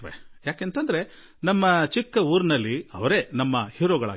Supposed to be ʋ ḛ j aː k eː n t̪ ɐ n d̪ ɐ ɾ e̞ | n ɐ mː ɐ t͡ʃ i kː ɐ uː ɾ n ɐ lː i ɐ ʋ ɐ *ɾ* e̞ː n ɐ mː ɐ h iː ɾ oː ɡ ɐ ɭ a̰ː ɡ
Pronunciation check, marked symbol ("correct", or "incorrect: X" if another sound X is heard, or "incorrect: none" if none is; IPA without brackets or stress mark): correct